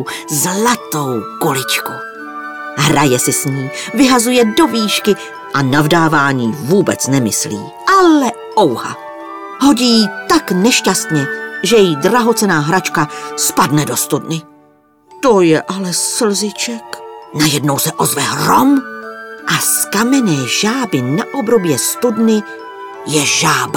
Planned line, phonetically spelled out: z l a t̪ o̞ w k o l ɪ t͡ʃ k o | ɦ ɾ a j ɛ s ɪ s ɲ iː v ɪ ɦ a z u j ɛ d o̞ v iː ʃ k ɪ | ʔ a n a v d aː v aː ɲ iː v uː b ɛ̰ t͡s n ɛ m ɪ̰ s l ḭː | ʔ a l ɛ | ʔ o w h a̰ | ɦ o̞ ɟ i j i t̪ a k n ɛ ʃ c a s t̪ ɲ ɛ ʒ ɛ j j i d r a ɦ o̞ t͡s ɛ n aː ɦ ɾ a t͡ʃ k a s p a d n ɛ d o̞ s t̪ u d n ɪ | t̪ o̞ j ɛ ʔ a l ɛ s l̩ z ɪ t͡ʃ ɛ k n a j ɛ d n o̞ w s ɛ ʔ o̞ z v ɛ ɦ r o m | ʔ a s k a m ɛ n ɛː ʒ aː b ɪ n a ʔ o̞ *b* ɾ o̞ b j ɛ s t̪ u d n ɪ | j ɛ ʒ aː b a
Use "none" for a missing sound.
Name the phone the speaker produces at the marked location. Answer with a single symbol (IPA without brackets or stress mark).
b